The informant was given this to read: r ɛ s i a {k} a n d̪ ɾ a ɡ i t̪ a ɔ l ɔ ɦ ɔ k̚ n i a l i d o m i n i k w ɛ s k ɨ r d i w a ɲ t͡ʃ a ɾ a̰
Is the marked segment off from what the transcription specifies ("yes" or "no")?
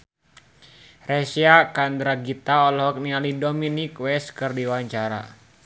no